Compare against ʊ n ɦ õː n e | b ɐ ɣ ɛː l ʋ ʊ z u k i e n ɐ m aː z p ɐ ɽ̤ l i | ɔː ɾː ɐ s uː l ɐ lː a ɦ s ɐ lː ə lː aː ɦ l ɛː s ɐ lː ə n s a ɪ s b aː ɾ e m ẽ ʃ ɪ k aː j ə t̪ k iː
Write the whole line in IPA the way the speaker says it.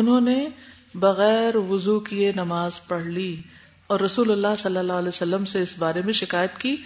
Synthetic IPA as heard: ʊ n ɦ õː n e | b ɐ ɣ ɛː ɾ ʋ ʊ z u k i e n ɐ m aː z p ɐ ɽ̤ l i | ɔː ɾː ɐ s uː l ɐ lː a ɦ s ɐ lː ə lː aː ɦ l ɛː s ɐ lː ə m s e ɪ s b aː ɾ e m ẽ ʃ ɪ k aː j ə t̪ k iː